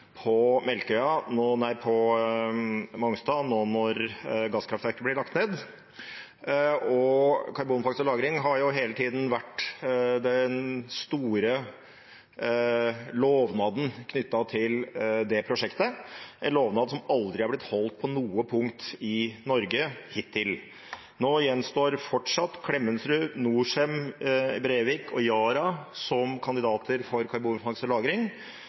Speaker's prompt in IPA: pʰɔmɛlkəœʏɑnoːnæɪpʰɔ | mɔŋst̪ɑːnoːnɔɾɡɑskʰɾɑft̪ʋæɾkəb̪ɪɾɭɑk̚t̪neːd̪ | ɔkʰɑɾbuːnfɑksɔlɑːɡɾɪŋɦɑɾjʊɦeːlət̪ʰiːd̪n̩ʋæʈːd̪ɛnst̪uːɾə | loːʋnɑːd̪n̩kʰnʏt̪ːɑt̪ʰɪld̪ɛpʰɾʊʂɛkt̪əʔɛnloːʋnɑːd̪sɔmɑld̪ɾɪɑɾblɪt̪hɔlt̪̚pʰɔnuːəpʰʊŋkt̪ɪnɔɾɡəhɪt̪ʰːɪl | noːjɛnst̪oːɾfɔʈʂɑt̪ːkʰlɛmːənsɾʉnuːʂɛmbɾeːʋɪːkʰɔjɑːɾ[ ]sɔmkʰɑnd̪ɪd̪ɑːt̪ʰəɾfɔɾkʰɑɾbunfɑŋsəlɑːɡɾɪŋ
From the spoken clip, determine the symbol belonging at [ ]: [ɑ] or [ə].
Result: ɑ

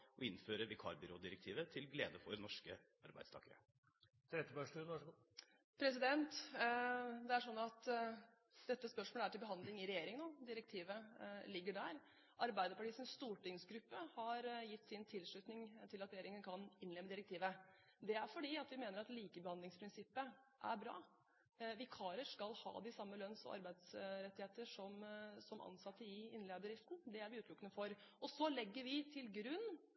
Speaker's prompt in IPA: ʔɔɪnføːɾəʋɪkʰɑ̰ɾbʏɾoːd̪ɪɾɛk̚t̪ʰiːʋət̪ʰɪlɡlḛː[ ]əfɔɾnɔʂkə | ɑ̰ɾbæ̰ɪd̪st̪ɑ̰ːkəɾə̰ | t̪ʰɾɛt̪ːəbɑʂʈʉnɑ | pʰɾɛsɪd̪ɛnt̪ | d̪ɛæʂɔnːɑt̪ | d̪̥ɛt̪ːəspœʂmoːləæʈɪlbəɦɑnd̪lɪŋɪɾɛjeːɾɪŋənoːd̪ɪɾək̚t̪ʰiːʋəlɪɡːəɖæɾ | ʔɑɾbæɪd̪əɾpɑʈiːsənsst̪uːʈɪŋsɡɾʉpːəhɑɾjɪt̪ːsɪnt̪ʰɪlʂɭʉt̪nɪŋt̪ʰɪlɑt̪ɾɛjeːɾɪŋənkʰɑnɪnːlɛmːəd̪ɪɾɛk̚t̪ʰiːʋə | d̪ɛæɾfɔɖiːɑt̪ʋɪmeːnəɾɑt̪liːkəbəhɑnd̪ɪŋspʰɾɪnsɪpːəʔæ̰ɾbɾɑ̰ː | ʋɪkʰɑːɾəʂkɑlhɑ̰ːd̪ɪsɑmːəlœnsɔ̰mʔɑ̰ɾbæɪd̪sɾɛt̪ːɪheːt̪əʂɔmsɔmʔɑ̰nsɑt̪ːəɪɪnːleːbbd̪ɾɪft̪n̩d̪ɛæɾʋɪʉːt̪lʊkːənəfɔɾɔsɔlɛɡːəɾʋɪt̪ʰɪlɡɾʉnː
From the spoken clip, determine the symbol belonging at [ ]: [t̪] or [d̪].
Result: d̪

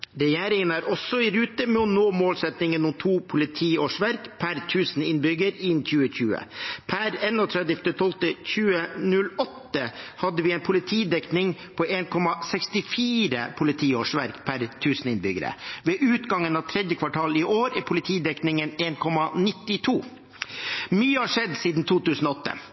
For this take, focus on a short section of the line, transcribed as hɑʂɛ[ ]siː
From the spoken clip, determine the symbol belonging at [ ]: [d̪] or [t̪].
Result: d̪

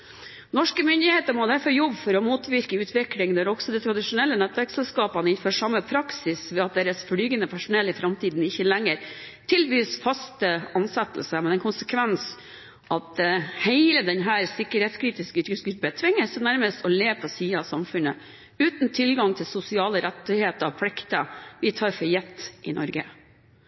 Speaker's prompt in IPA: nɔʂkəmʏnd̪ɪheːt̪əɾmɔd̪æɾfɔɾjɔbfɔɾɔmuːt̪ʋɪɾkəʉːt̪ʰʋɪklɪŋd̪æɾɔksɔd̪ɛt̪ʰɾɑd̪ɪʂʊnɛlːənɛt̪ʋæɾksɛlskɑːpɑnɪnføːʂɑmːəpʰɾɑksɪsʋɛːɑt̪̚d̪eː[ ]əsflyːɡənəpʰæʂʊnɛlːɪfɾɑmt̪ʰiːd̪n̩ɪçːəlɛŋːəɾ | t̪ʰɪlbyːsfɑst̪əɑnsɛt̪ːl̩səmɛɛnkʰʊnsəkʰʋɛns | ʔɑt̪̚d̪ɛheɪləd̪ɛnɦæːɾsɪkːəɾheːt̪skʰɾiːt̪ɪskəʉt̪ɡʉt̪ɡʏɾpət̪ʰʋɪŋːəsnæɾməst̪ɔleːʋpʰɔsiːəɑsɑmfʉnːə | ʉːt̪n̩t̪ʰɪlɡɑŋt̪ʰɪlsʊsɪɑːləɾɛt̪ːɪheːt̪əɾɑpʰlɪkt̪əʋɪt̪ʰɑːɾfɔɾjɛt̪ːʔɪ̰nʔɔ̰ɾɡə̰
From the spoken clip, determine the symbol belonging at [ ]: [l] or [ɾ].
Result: ɾ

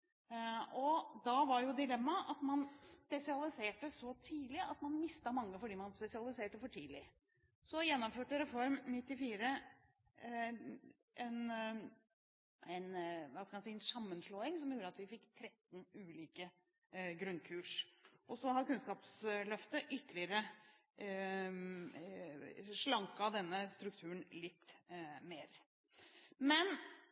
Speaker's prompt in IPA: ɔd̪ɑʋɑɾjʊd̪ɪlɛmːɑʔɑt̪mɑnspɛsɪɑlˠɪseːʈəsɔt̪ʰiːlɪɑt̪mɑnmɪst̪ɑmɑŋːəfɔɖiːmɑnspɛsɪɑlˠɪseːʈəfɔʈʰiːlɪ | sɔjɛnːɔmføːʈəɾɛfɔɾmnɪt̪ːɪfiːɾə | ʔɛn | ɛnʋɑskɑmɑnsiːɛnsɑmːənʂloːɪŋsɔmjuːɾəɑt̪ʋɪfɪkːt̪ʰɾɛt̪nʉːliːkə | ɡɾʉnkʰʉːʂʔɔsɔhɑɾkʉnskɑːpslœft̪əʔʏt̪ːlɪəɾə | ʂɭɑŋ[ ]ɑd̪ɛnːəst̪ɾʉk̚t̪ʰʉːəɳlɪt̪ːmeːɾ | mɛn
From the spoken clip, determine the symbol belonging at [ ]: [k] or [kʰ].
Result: k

